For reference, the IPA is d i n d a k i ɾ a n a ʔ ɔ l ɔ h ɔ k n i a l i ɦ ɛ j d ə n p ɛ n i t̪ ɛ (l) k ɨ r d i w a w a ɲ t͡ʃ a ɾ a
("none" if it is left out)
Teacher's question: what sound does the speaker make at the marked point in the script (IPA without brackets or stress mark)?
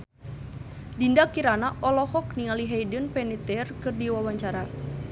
r